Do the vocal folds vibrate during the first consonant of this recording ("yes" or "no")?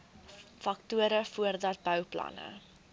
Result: no